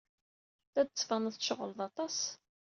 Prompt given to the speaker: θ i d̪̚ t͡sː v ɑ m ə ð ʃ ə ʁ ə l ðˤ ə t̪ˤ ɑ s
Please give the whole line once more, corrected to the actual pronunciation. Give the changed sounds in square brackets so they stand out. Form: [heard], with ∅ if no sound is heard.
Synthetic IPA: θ [æ] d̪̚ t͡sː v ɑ [n] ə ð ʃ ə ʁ ə l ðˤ [ɑ] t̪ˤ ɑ s